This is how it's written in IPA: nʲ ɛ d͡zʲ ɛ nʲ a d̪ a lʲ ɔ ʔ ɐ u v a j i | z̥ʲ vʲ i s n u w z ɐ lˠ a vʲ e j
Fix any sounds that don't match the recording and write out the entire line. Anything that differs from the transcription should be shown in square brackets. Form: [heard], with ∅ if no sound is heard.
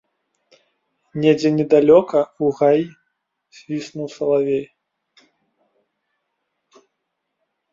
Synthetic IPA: nʲ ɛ d͡zʲ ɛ nʲ [ɛ] d̪ a lʲ ɔ [k] ɐ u [ɣ] a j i | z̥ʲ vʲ i s n u w [s] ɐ lˠ a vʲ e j

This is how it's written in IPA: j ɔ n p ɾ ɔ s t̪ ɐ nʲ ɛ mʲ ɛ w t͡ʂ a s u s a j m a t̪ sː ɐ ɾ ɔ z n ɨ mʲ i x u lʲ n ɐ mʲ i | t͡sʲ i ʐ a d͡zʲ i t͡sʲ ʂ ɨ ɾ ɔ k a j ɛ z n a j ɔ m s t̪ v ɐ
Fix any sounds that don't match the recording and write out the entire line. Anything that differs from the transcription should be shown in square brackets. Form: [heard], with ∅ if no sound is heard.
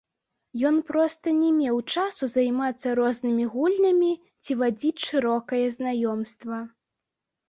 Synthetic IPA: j ɔ n p ɾ ɔ s t̪ ɐ nʲ ɛ mʲ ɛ w t͡ʂ a s u [z] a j m a t̪ sː ɐ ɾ ɔ z n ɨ mʲ i [ɣ] u lʲ n ɐ mʲ i | t͡sʲ i [v] a d͡zʲ i t͡sʲ ʂ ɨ ɾ ɔ k [ɐ] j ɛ z n a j ɔ m s t̪ v ɐ

